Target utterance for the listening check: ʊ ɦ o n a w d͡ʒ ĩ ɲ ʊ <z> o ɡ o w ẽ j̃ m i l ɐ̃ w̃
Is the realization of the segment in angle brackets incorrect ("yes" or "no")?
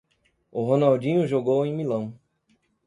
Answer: yes